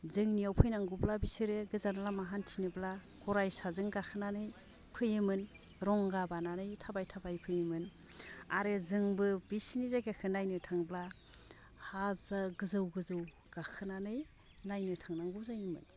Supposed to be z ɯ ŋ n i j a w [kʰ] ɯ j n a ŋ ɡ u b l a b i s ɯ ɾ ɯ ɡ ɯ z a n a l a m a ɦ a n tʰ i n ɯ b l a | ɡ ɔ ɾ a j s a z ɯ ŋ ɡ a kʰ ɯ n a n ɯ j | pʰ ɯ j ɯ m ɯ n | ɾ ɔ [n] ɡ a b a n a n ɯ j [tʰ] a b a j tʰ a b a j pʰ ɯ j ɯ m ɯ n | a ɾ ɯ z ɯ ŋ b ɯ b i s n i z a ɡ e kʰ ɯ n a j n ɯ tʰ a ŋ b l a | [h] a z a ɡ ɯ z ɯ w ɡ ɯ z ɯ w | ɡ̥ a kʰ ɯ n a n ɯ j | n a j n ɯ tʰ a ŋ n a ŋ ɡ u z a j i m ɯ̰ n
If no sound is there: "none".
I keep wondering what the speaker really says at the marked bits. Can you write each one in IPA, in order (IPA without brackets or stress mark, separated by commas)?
pʰ, ŋ, tʰ, h